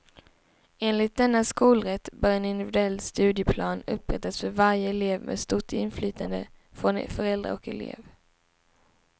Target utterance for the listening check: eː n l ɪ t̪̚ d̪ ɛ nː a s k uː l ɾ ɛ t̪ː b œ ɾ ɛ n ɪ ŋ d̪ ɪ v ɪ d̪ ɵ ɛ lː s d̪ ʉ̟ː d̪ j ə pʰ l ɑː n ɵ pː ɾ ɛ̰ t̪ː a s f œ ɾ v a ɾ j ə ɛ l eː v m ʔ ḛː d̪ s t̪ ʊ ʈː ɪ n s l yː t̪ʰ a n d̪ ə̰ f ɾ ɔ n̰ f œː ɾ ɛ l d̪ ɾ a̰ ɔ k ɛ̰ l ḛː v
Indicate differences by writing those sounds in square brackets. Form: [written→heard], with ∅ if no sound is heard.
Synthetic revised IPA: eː n l ɪ t̪̚ d̪ ɛ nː a s k uː l ɾ ɛ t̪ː b œ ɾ ɛ n ɪ [ŋ→n] d̪ ɪ v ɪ d̪ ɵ ɛ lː s [d̪→t̪] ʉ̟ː d̪ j ə pʰ l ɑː n ɵ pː ɾ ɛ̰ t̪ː a s f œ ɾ v a ɾ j ə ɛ l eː v m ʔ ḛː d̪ s t̪ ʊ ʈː ɪ n [s→f] l yː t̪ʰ a n d̪ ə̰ f ɾ ɔ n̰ f [œː→œ] ɾ ɛ l d̪ ɾ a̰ ɔ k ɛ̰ l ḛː v